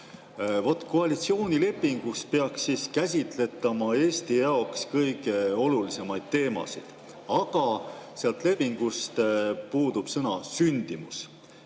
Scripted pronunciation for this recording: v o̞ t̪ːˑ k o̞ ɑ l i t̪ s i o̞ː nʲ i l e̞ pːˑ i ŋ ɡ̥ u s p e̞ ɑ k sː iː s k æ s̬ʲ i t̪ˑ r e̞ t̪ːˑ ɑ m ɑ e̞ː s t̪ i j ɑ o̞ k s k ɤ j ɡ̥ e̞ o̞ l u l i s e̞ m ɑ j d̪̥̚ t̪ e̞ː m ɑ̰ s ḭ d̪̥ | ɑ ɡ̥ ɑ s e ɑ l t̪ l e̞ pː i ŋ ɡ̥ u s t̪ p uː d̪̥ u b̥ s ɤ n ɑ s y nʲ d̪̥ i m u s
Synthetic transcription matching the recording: v o̞ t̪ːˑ k o̞ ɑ l i t̪ s i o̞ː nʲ i l e̞ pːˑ i ŋ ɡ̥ u s p e̞ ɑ k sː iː s k æ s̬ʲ i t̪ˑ l e̞ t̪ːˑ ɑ m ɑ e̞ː s t̪ i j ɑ o̞ k s k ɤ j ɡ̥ e̞ o̞ l u l i s e̞ m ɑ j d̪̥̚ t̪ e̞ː m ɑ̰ s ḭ d̪̥ | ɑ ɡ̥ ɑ s e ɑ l t̪ l e̞ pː i ŋ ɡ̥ u s t̪ p uː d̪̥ u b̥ s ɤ n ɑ s y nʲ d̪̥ i m u s